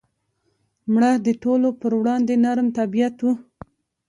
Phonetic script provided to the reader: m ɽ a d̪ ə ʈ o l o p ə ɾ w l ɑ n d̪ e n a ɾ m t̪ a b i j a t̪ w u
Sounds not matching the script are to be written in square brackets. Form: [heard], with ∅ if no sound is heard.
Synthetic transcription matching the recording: m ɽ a d̪ ə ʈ o l o p ə ɾ w [ɽ] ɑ n d̪ e n a ɾ m t̪ a b i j a t̪ w u